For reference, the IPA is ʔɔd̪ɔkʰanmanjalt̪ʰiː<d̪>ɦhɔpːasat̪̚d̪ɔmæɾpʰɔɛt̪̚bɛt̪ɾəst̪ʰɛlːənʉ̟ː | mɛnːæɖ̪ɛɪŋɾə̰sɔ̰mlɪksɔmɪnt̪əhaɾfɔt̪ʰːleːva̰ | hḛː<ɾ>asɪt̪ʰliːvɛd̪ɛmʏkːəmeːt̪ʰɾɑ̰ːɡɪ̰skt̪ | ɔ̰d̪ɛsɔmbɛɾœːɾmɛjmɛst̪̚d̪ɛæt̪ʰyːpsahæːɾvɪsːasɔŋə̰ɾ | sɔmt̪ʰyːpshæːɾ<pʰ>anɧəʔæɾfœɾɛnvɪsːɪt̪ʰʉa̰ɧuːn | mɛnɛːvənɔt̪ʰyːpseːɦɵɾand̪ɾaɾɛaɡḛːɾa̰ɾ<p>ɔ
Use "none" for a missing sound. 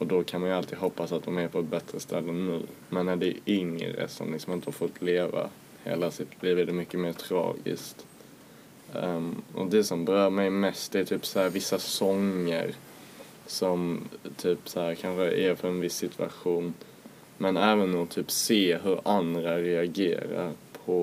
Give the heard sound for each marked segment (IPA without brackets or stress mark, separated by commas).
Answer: d̪, l, kʰ, pʰ